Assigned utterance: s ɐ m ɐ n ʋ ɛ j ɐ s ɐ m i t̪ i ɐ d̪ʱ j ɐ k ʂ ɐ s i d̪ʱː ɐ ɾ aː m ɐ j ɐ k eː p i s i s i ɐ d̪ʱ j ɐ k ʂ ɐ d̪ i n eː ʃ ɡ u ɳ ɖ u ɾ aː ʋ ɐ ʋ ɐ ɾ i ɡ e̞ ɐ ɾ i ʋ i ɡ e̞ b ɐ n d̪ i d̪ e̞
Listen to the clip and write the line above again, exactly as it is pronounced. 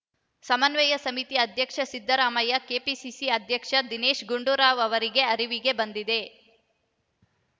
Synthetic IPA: s ɐ m ɐ n ʋ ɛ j ɐ s ɐ m i t̪ i ɐ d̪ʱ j ɐ k ʂ ɐ s i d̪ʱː ɐ ɾ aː m ɐ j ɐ k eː p i s i s i ɐ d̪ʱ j ɐ k ʂ ɐ d̪ i n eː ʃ ɡ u ɳ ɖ u ɾ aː ʋ ɐ ʋ ɐ ɾ i ɡ e̞ ɐ ɾ i ʋ i ɡ e̞ b ɐ n d̪ i d̪ e̞